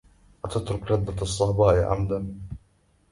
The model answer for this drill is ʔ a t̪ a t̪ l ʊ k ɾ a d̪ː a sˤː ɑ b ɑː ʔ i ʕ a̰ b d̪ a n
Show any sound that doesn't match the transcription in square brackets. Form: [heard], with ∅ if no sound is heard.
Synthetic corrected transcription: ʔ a t̪ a t̪ [ɾ] ʊ k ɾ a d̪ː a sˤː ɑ b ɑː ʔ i ʕ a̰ [m] d̪ a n